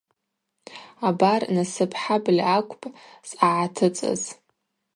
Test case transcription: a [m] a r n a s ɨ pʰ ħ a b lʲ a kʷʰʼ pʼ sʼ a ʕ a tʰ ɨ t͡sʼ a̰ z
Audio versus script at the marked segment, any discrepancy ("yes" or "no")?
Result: yes